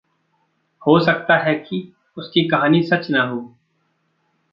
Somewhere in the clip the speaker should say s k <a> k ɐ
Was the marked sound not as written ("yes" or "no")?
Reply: yes